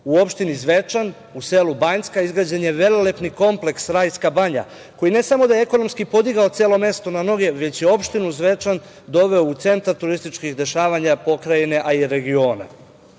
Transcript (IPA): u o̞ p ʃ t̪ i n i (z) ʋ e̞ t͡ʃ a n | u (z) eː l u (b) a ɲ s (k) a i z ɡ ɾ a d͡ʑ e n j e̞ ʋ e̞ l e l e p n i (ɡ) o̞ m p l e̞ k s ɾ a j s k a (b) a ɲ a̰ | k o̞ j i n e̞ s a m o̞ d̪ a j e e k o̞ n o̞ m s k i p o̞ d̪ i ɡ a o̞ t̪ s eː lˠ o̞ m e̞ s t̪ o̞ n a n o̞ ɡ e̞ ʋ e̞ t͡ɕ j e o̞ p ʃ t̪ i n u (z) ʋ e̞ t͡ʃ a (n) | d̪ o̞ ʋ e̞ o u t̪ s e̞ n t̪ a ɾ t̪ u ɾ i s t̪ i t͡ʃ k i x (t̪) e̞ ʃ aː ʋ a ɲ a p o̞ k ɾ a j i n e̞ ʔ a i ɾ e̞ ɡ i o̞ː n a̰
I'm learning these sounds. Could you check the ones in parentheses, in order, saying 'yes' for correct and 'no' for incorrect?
yes, no, yes, yes, no, yes, yes, yes, no

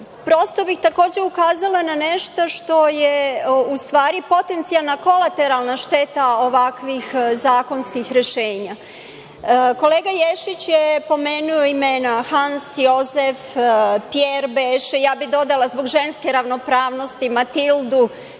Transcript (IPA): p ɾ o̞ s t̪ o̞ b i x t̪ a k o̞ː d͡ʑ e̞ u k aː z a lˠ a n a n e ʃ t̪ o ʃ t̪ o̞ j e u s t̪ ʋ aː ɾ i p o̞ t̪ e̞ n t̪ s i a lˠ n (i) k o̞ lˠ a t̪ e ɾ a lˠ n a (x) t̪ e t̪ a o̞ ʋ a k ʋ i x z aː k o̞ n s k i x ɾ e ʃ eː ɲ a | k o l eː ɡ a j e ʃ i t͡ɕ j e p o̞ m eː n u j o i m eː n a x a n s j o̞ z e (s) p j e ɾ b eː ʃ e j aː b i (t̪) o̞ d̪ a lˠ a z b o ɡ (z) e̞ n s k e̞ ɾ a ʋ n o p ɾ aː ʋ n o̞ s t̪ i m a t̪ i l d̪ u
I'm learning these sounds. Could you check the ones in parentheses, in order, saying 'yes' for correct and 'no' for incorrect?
no, no, no, no, no

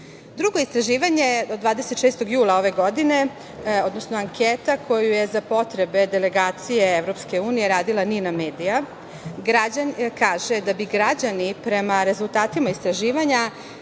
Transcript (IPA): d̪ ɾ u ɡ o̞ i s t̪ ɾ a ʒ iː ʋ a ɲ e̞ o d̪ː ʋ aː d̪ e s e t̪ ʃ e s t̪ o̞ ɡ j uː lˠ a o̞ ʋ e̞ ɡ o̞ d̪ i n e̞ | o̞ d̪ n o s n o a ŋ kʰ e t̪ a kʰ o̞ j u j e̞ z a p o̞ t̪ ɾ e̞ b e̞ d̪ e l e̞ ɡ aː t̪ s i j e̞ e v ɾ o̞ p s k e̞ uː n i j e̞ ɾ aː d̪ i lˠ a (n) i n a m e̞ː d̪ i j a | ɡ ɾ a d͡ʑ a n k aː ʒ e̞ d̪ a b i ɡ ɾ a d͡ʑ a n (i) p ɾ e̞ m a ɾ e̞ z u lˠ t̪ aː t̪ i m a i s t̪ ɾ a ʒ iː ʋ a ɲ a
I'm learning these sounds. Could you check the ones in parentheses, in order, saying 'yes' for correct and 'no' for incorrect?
yes, yes

